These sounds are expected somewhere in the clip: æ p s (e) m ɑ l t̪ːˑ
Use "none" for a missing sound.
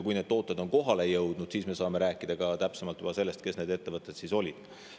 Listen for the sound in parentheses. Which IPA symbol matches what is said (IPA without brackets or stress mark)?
e